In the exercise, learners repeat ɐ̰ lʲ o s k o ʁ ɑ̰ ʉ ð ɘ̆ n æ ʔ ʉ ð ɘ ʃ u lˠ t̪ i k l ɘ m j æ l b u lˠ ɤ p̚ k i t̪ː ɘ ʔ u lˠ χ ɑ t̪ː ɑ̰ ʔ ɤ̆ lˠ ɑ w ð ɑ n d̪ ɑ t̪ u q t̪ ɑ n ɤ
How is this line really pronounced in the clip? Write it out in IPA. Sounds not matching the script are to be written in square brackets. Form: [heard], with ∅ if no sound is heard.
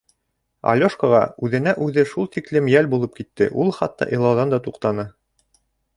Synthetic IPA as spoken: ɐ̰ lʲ o [ʃ] k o ʁ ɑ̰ ʉ ð ɘ̆ n æ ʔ ʉ ð ɘ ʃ u lˠ t̪ i k l ɘ m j æ l b u lˠ ɤ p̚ k i t̪ː ɘ ʔ u lˠ χ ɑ t̪ː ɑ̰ ʔ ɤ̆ lˠ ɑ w ð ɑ n d̪ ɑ t̪ u q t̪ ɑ n ɤ